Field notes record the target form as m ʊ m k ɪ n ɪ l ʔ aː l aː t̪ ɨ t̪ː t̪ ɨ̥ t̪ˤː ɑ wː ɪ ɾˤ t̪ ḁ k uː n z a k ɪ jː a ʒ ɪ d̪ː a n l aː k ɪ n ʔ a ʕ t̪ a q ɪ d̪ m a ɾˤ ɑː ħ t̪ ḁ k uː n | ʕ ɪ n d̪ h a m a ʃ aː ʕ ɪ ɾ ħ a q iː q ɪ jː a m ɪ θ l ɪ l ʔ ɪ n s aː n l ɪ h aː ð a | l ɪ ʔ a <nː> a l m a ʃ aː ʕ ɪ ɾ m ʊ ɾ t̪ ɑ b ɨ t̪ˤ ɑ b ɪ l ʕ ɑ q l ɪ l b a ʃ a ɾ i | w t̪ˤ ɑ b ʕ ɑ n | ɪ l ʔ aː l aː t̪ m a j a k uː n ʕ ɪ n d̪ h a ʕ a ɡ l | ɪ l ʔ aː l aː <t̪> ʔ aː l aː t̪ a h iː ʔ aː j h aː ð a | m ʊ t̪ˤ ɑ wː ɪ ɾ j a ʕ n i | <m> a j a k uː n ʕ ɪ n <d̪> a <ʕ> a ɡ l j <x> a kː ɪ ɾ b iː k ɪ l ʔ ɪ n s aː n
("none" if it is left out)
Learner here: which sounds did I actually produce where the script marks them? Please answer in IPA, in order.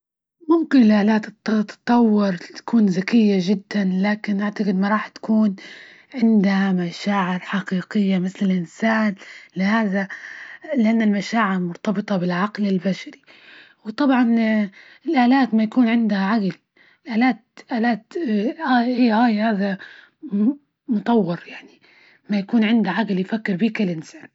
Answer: nː, t̪, m, d̪, ʕ, f

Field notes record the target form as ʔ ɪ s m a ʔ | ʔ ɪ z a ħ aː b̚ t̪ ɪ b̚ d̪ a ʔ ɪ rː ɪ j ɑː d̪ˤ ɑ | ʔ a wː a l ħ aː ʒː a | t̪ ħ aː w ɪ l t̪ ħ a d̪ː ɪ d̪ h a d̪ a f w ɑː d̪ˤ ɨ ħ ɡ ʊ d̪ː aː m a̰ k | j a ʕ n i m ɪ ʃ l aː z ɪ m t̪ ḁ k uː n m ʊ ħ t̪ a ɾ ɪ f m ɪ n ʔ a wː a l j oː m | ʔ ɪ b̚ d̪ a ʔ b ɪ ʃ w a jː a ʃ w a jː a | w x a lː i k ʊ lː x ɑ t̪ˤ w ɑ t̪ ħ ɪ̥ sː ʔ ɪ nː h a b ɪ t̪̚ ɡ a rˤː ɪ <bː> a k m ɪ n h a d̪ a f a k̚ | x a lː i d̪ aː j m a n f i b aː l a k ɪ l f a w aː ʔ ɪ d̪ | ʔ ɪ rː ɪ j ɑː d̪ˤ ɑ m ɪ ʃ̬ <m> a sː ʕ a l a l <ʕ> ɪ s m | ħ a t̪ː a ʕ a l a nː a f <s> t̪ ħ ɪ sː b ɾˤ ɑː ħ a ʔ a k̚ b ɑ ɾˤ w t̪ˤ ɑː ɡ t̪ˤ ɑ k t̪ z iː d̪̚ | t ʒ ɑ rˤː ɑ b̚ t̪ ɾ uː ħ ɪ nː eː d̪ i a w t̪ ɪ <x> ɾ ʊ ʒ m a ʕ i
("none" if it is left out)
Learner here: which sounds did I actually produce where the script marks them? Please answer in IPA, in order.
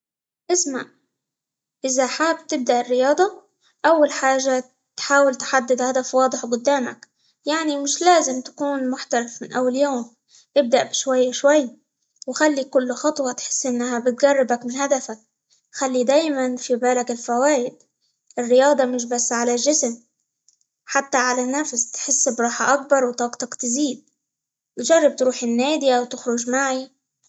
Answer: b, b, ʒ, s, x

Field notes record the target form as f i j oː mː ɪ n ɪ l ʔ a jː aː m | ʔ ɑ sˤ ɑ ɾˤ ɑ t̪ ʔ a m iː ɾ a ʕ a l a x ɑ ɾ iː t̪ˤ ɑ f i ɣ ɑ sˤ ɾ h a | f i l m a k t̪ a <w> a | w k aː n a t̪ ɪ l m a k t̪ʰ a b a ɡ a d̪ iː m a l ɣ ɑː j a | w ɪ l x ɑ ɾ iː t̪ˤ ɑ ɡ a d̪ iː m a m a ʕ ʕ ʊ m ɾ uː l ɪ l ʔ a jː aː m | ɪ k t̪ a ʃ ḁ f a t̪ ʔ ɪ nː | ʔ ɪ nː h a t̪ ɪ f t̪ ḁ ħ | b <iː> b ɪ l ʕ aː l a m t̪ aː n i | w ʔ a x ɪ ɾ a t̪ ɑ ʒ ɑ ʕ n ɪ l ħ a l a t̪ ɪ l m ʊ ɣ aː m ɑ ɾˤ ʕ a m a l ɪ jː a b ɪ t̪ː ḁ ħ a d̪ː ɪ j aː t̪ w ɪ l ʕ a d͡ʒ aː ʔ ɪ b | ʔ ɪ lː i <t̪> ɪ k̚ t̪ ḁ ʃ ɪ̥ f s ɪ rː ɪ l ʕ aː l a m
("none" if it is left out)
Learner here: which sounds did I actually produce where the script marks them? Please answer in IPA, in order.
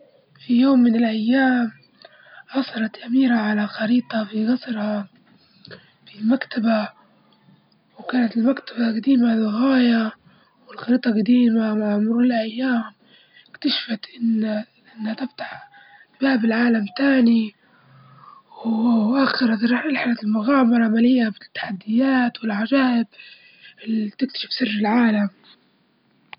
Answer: b, aː, t̪

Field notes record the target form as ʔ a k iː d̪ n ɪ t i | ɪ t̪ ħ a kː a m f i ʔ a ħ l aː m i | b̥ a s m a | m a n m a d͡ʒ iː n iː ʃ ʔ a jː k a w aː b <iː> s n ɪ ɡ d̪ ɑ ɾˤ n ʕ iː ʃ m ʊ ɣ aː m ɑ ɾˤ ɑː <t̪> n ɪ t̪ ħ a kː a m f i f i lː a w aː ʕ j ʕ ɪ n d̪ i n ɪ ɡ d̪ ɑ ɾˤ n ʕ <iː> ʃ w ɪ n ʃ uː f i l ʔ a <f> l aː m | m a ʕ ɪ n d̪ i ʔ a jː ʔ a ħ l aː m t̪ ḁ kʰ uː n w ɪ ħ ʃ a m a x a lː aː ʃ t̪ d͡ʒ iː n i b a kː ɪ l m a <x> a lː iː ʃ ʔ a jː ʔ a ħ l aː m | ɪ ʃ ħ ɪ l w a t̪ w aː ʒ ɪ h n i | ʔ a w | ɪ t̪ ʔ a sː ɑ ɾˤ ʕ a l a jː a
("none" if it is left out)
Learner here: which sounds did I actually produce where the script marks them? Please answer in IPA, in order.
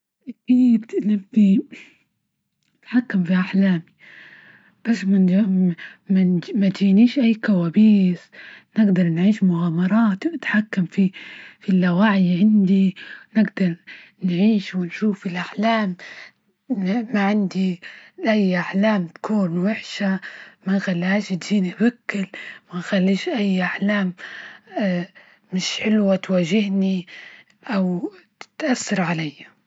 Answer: iː, t̪, iː, ħ, x

